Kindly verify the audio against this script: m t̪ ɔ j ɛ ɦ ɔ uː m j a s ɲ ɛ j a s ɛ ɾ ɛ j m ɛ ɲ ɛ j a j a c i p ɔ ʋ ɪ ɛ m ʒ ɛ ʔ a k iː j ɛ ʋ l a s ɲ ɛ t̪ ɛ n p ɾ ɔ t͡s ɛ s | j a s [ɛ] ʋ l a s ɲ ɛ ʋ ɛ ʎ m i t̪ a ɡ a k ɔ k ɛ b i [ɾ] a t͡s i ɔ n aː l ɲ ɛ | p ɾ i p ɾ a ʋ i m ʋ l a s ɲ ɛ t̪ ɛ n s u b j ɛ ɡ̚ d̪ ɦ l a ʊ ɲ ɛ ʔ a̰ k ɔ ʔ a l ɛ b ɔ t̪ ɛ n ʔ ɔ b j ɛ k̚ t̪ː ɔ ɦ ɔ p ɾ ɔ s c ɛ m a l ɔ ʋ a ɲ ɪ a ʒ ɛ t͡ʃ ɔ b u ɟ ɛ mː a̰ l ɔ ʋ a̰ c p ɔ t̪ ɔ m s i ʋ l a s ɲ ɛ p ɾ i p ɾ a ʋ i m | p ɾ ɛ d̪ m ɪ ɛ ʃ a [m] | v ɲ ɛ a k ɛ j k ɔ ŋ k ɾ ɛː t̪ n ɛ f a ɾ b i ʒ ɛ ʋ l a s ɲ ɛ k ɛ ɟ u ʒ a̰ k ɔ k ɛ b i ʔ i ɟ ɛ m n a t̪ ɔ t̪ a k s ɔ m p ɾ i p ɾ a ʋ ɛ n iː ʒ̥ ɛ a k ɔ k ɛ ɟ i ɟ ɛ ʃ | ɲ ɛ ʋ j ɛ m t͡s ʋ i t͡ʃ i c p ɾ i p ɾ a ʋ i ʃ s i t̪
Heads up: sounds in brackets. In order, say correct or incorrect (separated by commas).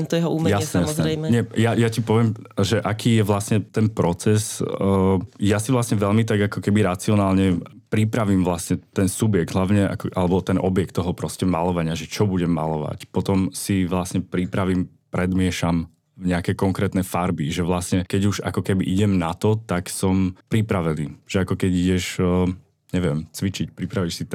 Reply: incorrect, correct, correct